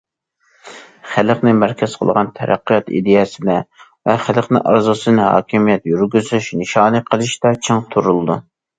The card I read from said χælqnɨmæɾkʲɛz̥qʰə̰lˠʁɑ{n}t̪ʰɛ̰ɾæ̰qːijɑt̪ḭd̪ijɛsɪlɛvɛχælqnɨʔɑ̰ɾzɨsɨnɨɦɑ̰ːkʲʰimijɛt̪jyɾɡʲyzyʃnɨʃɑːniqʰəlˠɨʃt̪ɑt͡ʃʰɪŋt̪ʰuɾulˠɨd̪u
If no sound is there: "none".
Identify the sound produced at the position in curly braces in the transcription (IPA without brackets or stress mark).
n